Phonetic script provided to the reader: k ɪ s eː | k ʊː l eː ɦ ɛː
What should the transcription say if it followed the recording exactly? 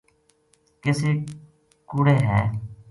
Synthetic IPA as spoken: k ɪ s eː | k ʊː ɽ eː ɦ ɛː